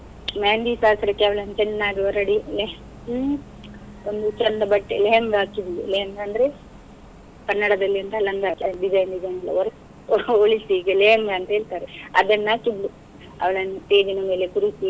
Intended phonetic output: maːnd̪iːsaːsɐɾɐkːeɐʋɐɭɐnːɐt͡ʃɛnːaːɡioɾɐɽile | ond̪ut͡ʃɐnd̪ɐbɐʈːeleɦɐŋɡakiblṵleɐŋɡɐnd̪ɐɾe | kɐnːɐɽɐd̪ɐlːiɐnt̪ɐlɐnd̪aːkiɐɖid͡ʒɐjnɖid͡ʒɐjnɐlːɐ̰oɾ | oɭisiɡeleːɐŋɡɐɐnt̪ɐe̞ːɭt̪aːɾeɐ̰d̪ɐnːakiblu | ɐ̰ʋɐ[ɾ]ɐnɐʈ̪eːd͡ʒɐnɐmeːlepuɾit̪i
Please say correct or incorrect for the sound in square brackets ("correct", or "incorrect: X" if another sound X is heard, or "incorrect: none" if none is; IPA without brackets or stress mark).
incorrect: ɭ